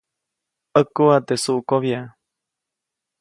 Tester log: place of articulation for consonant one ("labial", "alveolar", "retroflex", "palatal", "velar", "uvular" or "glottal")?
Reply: velar